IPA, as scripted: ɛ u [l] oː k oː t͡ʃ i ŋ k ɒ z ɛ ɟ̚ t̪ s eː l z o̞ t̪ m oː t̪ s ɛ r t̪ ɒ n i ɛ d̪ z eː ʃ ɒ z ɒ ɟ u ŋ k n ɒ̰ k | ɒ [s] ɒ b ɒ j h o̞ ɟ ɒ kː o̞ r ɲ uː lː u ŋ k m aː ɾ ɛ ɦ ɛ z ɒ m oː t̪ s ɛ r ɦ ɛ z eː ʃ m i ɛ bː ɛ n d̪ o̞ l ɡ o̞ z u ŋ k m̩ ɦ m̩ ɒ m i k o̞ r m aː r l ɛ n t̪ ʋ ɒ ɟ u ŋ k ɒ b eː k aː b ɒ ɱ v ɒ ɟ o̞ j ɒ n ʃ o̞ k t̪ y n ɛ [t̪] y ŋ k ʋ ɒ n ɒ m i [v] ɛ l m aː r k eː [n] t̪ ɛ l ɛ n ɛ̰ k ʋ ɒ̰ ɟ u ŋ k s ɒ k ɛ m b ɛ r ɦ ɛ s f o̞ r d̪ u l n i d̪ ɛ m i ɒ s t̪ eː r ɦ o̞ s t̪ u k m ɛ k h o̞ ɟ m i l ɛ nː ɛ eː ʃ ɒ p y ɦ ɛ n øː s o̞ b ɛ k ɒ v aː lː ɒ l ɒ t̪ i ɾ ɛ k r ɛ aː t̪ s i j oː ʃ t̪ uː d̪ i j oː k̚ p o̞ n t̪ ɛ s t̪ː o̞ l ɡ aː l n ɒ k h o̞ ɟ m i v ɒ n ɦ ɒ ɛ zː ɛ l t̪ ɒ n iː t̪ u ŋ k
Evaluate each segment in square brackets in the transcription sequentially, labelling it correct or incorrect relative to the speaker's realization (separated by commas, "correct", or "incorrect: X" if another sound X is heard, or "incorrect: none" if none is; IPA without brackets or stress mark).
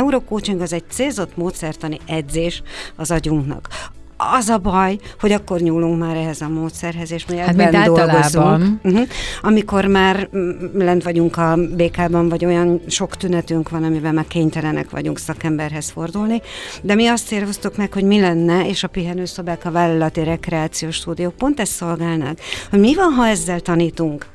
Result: incorrect: ɾ, incorrect: z, correct, correct, incorrect: ɲ